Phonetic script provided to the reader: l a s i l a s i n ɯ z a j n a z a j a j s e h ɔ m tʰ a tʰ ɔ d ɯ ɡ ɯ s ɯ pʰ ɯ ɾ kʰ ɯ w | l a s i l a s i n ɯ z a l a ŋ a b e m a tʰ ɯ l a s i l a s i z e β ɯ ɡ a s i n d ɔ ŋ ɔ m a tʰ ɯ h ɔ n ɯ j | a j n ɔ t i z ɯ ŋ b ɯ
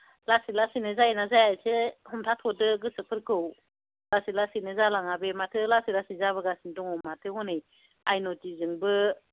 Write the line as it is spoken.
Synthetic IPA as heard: l a s i l a s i n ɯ z a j n a z a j a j s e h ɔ m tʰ a tʰ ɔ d ɯ ɡ ɯ s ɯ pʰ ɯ ɾ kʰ ɯ w | l a s i l a s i n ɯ z a l a ŋ a b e m a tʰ ɯ l a s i l a s i z a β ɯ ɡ a s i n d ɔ ŋ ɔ m a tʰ ɯ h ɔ n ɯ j | a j n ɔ t i z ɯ ŋ b ɯ